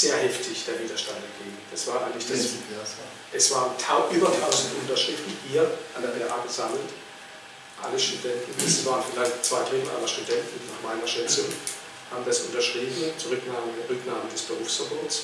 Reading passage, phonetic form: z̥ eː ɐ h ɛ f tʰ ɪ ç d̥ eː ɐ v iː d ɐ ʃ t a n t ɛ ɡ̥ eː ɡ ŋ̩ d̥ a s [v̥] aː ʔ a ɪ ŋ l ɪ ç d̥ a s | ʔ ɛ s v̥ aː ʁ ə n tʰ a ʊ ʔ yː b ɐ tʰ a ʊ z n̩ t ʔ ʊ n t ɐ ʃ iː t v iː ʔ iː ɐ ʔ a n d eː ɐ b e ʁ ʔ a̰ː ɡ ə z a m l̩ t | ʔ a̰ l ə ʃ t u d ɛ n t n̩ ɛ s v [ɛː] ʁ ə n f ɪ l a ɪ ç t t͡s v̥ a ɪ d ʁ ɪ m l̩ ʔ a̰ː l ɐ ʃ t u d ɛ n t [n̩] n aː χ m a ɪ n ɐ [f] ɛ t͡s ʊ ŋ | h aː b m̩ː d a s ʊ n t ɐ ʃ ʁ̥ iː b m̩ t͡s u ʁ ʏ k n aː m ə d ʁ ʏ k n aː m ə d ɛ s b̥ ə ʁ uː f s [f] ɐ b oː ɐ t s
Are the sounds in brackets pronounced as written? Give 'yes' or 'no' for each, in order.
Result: yes, no, yes, no, yes

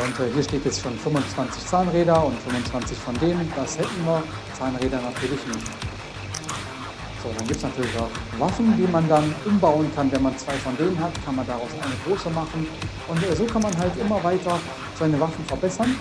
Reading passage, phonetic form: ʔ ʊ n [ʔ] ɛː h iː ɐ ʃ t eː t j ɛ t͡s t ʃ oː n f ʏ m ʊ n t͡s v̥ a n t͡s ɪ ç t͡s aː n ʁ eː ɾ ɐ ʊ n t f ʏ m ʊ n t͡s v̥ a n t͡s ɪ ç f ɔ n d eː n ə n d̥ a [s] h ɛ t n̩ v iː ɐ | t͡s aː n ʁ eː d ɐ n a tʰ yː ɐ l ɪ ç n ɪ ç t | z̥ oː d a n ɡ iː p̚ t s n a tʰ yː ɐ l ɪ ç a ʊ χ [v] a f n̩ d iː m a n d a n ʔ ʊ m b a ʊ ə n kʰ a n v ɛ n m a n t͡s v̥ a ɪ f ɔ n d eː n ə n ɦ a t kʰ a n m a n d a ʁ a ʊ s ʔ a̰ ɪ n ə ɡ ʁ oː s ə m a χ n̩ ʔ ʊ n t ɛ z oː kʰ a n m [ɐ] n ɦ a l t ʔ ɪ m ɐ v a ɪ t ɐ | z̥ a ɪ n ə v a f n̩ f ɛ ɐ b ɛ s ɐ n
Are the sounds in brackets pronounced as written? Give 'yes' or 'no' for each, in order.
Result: no, yes, yes, no

